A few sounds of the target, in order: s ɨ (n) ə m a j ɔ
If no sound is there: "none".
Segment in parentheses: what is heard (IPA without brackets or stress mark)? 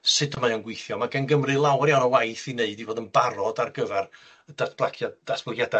d